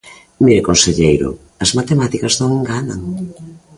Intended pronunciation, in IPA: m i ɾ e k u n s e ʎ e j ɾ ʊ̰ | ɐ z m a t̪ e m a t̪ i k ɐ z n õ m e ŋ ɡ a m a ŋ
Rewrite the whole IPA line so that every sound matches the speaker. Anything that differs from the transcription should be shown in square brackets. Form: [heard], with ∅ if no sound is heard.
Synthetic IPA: m i ɾ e k [o] n s e ʎ e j ɾ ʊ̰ | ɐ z m a t̪ e m a t̪ i k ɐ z n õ [ŋ] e ŋ ɡ a [n] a ŋ